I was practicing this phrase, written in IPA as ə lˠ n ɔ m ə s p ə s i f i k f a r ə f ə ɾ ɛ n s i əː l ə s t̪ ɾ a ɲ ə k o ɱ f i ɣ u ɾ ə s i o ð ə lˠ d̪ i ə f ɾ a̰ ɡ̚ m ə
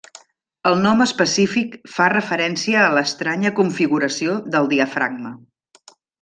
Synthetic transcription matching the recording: ə lˠ n ɔ m ə s p ə s i f i k f a r ə f ə ɾ ɛ n s i əː l ə s t̪ ɾ a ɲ ə k u ɱ f i ɣ u ɾ ə s i o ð ə lˠ d̪ i ə f ɾ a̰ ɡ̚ m ə

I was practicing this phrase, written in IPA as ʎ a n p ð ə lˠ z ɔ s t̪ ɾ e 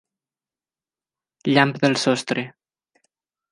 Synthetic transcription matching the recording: ʎ a m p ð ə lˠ s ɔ s t̪ ɾ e

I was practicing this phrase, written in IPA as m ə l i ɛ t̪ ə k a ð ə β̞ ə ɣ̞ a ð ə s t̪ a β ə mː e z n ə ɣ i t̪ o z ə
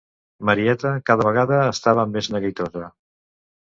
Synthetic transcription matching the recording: m ə ɾ i ɛ t̪ ə k a ð ə β̞ ə ɣ̞ a ð əː s t̪ a β ə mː e z n ə ɣ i t̪ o z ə

